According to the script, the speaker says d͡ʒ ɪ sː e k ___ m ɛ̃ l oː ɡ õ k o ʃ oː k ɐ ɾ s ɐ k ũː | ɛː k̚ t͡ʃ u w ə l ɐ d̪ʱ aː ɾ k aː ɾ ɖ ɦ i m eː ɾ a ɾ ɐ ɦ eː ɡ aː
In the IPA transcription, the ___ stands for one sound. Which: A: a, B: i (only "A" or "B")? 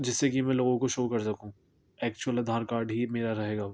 B